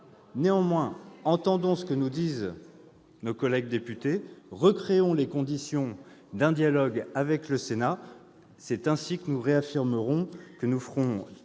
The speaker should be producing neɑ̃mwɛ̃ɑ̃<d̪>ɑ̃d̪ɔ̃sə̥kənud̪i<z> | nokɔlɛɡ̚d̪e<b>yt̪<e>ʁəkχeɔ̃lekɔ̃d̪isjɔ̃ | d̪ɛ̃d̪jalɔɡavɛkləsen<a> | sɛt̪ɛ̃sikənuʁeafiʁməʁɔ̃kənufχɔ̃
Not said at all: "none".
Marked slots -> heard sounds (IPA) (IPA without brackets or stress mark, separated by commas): t̪, z, p, e, a